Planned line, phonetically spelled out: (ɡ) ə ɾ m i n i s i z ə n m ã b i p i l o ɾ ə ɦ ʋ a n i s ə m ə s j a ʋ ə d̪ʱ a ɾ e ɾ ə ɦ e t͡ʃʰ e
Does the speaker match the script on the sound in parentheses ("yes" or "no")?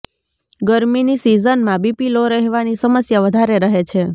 yes